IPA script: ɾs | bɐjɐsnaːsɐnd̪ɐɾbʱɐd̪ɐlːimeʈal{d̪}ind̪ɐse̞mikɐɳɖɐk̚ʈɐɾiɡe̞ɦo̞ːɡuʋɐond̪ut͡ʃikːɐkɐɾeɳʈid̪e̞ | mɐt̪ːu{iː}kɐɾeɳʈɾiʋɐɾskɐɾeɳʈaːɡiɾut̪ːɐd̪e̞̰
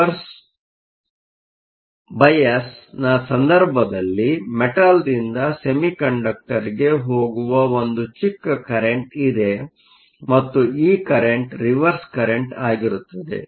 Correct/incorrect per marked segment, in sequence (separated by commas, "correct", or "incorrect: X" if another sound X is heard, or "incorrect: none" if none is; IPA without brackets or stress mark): correct, correct